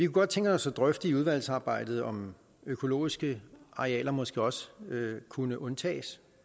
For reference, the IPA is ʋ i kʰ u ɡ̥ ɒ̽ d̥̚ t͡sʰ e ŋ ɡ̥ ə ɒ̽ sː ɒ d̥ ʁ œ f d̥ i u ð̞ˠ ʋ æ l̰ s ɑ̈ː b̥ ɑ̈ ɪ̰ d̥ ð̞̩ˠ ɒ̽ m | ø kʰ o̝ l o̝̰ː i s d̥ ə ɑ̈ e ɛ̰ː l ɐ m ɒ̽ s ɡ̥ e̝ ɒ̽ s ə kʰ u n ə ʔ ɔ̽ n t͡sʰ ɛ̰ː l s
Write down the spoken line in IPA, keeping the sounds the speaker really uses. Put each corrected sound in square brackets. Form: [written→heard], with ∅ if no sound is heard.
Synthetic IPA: ʋ i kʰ u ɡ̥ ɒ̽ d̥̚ t͡sʰ e ŋ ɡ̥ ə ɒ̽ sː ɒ d̥ ʁ œ f d̥ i u ð̞ˠ ʋ æ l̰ s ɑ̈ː b̥ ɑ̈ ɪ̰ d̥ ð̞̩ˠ ɒ̽ m | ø kʰ o̝ l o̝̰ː i s [d̥→ɡ̥] ə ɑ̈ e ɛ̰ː l ɐ m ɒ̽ s ɡ̥ e̝ ɒ̽ s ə kʰ u n ə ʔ ɔ̽ n t͡sʰ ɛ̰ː [l→∅] s